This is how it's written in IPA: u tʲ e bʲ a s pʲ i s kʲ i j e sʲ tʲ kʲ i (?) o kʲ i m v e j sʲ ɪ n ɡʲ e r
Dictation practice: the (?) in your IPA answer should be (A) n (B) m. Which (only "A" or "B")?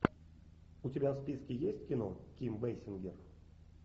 A